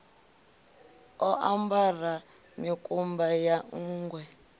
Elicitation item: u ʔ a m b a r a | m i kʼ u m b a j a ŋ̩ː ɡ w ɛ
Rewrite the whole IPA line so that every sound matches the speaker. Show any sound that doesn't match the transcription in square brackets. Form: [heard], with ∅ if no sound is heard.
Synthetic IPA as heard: [ɔ] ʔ a m b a r a | m i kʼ u m b a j a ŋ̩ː ɡ w ɛ